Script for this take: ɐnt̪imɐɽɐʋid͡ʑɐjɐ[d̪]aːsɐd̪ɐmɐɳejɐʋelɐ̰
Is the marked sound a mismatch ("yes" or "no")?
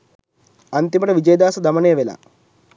no